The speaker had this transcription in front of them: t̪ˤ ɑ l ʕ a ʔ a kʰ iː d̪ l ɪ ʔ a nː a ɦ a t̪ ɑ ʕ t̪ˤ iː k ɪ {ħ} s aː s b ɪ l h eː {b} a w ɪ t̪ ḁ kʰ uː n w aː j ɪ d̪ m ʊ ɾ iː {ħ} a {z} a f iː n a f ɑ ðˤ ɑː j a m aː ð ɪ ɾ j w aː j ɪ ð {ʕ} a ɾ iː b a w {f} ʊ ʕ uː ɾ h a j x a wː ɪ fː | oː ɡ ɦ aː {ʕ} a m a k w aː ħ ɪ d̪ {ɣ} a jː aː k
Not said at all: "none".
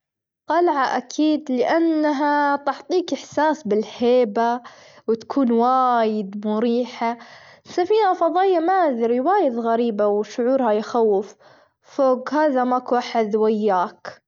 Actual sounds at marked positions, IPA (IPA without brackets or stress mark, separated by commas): ħ, b, ħ, s, ɣ, ʃ, ð, w